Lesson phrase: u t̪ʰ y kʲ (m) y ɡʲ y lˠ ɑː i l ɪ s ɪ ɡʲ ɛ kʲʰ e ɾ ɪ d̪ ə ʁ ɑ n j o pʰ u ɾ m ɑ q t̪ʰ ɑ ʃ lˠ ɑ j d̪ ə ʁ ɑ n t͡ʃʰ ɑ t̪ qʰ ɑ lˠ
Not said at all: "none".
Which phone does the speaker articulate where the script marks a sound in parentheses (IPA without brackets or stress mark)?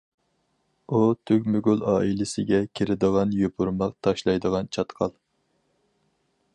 m